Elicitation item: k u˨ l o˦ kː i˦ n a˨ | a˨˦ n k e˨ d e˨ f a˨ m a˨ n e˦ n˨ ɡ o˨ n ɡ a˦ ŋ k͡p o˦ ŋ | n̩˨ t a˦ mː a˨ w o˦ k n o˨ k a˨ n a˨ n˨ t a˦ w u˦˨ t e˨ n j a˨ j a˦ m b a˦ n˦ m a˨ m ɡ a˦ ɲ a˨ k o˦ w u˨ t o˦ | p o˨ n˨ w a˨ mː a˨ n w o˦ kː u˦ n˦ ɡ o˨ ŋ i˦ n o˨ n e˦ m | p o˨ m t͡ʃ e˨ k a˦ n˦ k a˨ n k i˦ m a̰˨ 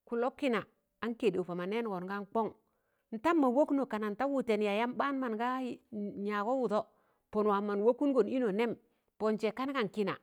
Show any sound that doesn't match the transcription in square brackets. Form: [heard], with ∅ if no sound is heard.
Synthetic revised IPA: k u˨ l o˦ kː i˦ n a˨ | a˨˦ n k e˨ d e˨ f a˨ m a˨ n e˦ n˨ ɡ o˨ n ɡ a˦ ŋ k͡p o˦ ŋ | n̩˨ t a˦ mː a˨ w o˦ k n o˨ k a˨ n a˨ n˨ t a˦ w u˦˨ t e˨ n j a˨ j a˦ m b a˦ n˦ m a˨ [n] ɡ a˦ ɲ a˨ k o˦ w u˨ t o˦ | p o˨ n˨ w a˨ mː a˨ n w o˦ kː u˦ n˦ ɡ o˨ [n] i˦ n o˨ n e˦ m | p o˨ [n] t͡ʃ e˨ k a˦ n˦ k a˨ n k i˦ [n] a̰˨